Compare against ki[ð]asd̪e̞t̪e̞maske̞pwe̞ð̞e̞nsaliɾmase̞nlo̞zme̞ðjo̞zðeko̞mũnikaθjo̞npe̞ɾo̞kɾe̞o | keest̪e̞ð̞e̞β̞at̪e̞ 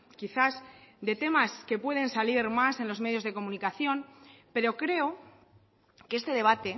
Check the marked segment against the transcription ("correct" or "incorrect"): incorrect